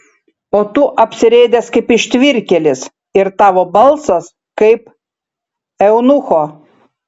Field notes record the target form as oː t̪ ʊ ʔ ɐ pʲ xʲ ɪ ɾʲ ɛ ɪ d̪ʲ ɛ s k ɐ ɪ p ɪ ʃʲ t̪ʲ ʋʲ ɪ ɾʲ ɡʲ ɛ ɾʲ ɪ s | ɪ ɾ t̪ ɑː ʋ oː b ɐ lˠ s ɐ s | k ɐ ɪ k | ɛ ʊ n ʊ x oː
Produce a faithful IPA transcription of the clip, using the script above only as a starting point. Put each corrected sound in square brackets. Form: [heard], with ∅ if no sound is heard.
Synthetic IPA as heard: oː t̪ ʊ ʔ ɐ pʲ [sʲ] ɪ ɾʲ ɛ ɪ d̪ʲ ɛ s k ɐ ɪ p ɪ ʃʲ t̪ʲ ʋʲ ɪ ɾʲ [kʲ] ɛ [lʲ] ɪ s | ɪ ɾ t̪ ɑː ʋ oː b ɐ lˠ s ɐ s | k ɐ ɪ [p] | ɛ ʊ n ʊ x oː